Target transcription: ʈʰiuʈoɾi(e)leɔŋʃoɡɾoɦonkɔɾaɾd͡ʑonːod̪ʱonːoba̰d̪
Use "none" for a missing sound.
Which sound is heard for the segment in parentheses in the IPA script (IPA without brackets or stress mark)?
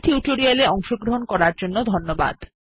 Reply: a